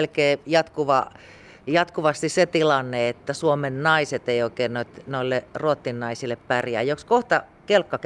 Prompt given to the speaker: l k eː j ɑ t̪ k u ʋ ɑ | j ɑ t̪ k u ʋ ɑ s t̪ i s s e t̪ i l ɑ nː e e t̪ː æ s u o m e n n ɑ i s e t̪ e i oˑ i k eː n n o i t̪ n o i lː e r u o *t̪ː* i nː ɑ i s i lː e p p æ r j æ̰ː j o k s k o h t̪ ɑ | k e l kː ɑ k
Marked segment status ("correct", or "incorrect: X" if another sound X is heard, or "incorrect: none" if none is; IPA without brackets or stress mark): correct